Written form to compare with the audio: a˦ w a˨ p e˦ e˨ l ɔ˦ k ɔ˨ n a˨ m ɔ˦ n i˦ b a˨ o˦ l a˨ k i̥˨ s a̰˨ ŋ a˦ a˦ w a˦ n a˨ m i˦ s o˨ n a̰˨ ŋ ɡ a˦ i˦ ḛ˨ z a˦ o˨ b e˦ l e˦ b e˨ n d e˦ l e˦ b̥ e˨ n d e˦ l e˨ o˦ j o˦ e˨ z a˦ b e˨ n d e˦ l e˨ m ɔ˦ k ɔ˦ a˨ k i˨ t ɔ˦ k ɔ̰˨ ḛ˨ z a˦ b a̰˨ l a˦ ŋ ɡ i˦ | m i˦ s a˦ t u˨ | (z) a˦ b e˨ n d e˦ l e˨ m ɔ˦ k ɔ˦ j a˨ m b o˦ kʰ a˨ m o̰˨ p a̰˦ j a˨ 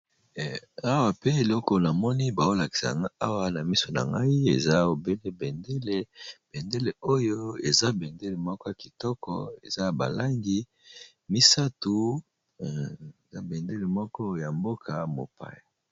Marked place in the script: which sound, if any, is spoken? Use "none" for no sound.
z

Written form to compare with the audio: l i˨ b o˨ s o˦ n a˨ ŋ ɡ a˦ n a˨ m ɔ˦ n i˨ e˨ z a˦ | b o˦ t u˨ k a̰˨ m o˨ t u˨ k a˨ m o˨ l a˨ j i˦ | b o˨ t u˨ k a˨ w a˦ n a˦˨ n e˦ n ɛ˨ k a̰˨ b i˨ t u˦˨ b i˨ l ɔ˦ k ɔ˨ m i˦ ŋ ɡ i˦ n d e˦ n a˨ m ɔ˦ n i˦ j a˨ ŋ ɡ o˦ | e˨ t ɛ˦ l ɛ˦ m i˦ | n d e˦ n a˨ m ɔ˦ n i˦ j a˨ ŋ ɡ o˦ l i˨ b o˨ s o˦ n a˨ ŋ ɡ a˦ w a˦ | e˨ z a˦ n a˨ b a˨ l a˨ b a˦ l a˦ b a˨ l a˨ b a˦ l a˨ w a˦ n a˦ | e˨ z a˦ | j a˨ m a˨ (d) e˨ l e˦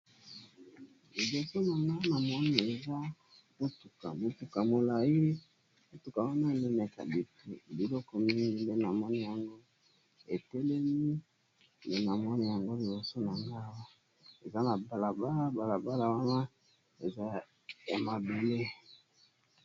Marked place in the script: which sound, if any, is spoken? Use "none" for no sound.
b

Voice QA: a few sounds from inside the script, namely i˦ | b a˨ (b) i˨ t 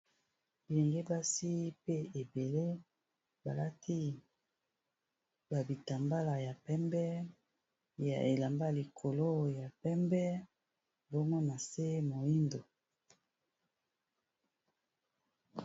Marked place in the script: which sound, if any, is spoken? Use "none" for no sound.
b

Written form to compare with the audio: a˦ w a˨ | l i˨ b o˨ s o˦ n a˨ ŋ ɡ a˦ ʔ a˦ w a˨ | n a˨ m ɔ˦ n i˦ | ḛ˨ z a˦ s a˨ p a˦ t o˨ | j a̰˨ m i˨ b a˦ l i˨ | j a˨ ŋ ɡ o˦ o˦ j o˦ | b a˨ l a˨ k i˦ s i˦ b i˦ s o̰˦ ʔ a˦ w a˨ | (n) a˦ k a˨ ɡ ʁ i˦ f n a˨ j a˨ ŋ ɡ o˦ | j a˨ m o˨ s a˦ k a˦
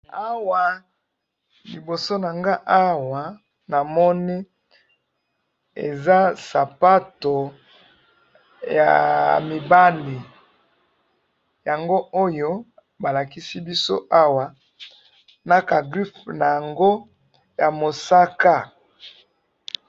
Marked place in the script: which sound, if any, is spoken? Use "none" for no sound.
n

